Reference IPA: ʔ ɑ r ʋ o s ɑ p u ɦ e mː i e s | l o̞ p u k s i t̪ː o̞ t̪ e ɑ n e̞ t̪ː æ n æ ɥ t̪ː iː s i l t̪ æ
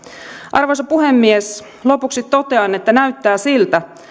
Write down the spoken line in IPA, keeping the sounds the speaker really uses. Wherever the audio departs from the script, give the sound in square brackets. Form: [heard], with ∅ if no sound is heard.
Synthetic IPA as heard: ʔ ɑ r ʋ o s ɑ p u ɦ e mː i e s | l o̞ p u k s i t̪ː o̞ t̪ e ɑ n e̞ t̪ː æ n æ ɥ t̪ː [æː] s i l t̪ æ

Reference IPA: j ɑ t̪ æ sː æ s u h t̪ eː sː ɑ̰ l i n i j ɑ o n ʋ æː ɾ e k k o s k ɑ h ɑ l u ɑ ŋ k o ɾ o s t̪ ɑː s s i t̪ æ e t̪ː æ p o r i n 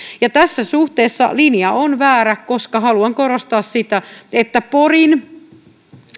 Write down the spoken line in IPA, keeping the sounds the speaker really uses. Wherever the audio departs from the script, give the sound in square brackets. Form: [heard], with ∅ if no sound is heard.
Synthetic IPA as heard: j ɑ t̪ æ sː æ s u h t̪ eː sː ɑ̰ l i n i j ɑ o n ʋ æː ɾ [æ] k k o s k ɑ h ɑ l u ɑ ŋ k o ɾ o s t̪ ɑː s s i t̪ æ e t̪ː æ p o r i n

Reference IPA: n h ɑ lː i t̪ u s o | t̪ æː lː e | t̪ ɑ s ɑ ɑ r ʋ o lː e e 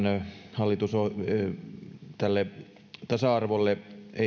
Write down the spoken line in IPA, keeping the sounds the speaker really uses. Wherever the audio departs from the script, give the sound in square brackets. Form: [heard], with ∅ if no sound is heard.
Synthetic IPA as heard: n h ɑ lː i t̪ u s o | t̪ [æ] lː e | t̪ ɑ s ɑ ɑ r ʋ o lː e e

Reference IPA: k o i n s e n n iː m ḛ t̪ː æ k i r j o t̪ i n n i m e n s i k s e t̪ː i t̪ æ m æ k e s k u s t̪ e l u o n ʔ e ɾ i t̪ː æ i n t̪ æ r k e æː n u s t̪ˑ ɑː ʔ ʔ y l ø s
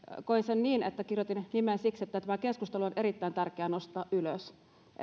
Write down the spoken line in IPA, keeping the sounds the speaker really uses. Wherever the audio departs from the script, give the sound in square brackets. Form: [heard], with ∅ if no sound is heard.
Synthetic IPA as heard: k o i n s e n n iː [n] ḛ t̪ː æ k i r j o t̪ i n n i m e n s i k s e t̪ː [æ] t̪ æ m æ k e s k u s t̪ e l u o n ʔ e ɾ i t̪ː æ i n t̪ æ r k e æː n [o] s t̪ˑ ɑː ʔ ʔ y l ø s

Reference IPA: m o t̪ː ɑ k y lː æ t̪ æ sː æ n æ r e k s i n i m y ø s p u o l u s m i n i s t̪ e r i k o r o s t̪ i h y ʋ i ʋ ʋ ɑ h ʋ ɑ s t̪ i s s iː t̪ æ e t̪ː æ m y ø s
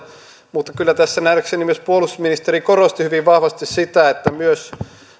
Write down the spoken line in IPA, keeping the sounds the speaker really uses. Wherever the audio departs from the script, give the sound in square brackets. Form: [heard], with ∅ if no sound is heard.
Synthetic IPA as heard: m [u] t̪ː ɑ k y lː æ t̪ æ sː æ n æ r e k s [e] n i m y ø s p u o l u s m i n i s t̪ e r i k o r o s t̪ i h y ʋ i ʋ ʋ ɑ h ʋ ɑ s t̪ i s s [i] t̪ æ e t̪ː æ m y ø s

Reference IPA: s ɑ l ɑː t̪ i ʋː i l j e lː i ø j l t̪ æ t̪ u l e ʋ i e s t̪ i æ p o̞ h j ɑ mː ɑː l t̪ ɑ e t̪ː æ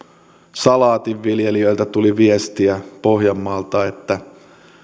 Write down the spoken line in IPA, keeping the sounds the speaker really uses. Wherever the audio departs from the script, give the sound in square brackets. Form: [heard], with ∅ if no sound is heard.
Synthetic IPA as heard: s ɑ l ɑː t̪ i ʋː i l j e [l] i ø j l t̪ æ t̪ u l [i] ʋ i e s t̪ i æ p o̞ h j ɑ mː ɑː l t̪ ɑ e t̪ː æ

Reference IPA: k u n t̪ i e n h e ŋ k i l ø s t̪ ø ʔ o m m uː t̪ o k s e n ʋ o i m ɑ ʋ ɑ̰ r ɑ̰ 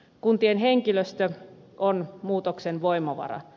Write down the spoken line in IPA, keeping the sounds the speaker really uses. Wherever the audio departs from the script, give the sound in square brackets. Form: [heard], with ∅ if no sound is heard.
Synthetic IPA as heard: k u n t̪ i e n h e ŋ k i l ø s t̪ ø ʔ o [n] m uː t̪ o k s e n ʋ o i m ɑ ʋ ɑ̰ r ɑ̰

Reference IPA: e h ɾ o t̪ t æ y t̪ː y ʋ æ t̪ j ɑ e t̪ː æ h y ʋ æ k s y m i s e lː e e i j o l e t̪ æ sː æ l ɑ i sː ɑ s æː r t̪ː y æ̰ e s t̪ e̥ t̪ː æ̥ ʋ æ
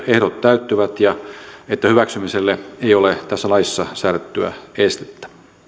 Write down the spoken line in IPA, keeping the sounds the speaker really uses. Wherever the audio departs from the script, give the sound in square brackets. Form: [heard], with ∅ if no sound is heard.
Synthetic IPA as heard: e h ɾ o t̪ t æ y t̪ː y ʋ æ t̪ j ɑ e t̪ː æ h y ʋ æ k s y m i s e lː e e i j o l e t̪ æ sː æ l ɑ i sː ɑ s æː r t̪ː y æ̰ e s t̪ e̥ t̪ː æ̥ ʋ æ

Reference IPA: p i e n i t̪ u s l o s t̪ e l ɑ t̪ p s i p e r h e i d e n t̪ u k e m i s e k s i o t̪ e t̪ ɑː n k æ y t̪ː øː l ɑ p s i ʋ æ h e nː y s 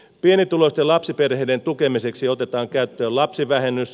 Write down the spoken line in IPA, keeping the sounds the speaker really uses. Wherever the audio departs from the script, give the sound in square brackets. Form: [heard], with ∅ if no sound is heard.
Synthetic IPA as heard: p i e n i t̪ u [∅] l o s t̪ e l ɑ [∅] p s i p e r h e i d e n t̪ u k e m i s e k s i o t̪ e t̪ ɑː [ŋ] k æ y t̪ː øː l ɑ p s i ʋ æ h e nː y s

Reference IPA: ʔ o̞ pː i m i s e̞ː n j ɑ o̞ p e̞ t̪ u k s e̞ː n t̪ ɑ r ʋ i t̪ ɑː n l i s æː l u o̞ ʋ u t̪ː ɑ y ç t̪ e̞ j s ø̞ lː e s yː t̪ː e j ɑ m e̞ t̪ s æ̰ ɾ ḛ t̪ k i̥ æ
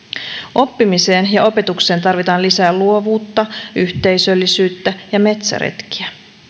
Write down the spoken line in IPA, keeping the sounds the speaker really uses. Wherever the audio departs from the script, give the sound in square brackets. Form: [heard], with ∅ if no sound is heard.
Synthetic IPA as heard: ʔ o̞ pː i m i s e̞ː n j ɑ o̞ p e̞ t̪ u k s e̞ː n t̪ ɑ r ʋ i t̪ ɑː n l i s æː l u o̞ ʋ [uː] t̪ː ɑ y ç t̪ e̞ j s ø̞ lː [i] s yː t̪ː [æ] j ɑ m e̞ t̪ s æ̰ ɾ ḛ t̪ k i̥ æ

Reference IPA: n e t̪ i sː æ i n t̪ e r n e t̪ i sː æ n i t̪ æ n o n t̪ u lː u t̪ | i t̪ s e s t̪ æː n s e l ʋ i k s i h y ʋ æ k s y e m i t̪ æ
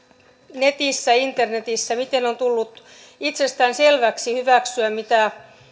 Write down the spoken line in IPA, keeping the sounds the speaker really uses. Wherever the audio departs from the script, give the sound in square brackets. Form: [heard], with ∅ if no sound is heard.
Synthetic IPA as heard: n e t̪ i sː æ i n t̪ e r n e t̪ i sː æ [m] i t̪ [e] n o n t̪ u lː u t̪ | i t̪ s e s t̪ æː n s e l ʋ [æ] k s i h y ʋ æ k s y [æ] m i t̪ æ

